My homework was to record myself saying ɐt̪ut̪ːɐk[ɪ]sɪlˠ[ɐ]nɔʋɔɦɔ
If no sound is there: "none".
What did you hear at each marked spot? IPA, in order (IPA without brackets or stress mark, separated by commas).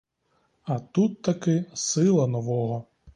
ɪ, ɐ